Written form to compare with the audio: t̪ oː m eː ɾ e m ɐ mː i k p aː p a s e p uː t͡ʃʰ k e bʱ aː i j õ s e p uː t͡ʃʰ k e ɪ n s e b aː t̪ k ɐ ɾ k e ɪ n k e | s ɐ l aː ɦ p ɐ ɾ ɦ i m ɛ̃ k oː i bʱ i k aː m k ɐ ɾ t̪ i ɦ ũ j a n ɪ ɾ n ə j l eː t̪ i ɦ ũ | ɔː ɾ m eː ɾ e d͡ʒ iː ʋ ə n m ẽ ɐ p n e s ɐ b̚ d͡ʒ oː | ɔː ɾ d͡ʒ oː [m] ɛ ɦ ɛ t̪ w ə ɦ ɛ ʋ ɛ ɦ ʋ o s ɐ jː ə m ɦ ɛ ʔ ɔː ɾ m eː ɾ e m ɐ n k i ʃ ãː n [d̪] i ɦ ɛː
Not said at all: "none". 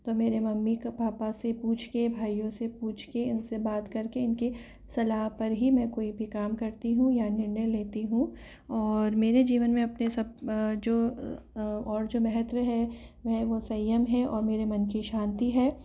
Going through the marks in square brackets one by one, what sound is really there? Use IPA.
m, t̪

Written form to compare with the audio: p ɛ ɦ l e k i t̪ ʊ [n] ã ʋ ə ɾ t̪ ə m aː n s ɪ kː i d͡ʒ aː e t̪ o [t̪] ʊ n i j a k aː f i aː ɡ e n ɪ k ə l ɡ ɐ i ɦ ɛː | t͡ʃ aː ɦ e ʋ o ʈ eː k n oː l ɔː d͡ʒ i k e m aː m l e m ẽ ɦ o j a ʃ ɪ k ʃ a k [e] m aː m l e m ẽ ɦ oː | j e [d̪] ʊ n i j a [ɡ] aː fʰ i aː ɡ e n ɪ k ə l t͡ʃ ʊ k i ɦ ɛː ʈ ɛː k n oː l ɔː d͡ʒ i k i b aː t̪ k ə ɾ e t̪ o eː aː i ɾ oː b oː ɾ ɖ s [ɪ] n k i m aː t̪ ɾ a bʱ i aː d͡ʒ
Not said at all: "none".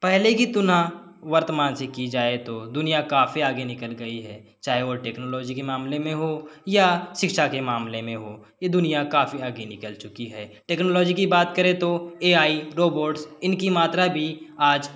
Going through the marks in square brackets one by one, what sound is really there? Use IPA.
n, d̪, e, d̪, k, ɪ

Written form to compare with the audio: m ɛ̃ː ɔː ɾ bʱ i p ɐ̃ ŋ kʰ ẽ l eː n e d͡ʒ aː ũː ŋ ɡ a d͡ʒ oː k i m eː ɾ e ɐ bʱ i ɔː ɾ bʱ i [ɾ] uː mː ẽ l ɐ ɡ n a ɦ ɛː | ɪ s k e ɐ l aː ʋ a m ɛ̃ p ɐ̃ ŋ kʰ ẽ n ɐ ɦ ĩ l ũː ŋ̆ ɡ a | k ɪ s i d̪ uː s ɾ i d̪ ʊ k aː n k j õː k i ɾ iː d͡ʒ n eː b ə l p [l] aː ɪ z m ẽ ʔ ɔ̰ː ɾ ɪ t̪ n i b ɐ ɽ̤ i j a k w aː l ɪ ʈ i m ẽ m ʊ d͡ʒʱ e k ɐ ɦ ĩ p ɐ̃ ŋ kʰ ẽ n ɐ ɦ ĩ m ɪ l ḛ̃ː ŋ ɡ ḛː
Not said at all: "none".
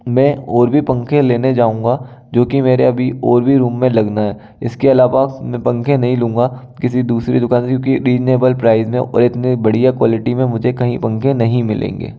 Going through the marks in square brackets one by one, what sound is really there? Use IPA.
ɾ, ɾ

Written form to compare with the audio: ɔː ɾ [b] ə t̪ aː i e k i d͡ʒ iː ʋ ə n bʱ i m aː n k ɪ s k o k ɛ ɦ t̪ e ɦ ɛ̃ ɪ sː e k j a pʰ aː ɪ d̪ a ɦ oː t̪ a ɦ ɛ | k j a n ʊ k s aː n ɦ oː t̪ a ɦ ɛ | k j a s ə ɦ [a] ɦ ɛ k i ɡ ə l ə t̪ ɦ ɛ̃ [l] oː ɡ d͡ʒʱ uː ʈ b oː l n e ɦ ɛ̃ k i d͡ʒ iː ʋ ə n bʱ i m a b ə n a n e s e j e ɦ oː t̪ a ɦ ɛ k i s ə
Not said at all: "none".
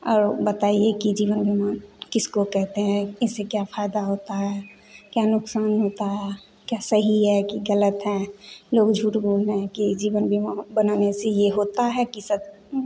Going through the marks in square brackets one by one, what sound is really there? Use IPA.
b, i, l

